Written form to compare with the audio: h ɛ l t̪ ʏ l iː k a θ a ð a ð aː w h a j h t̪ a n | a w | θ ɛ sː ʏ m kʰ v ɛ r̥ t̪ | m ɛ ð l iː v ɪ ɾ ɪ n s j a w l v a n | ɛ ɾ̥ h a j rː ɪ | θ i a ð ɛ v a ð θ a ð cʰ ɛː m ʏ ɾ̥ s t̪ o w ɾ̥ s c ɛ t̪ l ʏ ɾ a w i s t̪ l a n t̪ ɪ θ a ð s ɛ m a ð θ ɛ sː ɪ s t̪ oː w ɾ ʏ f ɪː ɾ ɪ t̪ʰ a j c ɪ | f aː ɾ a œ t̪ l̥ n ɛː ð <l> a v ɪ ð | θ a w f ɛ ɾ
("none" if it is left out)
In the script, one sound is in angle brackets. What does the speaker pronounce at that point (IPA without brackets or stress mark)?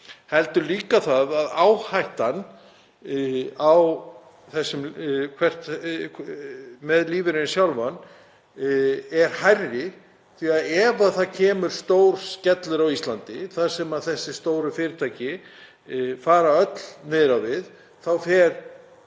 ɾ